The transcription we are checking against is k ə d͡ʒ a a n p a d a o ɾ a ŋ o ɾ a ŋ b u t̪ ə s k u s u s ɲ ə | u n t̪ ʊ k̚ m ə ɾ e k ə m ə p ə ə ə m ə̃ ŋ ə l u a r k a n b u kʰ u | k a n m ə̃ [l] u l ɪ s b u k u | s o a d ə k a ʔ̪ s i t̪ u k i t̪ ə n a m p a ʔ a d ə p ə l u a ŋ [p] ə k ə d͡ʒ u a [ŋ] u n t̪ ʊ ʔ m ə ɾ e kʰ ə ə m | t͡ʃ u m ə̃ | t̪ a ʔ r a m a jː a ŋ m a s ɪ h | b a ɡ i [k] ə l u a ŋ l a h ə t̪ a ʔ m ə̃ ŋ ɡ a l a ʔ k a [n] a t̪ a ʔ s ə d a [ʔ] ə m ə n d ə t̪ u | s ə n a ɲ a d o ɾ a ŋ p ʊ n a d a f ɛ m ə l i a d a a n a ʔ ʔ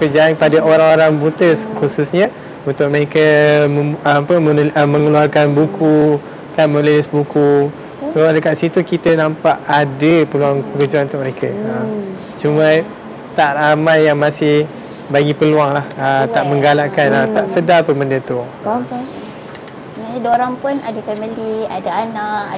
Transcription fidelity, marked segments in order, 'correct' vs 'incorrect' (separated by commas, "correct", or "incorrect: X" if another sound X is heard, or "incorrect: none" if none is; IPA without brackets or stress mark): correct, correct, incorrect: n, incorrect: p, correct, incorrect: p